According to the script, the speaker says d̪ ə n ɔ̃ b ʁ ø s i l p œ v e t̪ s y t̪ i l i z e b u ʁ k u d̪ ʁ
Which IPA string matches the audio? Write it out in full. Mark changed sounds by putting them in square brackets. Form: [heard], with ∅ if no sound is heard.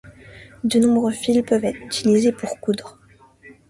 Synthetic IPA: d̪ ə n ɔ̃ b ʁ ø [f] i l p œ v [ɛ] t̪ [χ] y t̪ i l i z e [p] u ʁ k u d̪ ʁ